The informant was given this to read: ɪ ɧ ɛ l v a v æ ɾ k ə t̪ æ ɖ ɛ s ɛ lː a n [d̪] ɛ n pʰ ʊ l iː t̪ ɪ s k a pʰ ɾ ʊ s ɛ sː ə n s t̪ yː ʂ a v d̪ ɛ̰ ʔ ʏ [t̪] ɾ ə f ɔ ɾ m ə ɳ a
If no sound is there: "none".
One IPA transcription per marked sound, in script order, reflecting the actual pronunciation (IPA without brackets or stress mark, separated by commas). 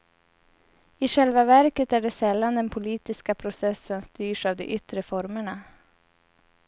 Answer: d̪, t̪